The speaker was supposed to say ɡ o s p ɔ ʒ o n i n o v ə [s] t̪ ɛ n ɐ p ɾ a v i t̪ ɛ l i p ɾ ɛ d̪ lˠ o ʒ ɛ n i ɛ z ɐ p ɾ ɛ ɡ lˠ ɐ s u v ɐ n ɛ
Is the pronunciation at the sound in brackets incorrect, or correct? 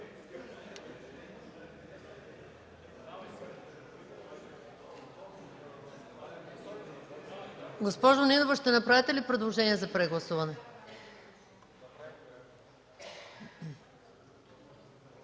incorrect